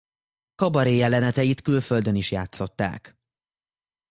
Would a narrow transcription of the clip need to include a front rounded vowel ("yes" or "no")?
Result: yes